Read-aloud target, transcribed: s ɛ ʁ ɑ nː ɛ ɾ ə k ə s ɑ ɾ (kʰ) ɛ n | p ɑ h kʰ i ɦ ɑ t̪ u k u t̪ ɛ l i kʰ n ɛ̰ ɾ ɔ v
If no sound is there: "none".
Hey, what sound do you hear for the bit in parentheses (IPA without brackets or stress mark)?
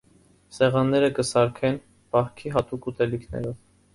kʰ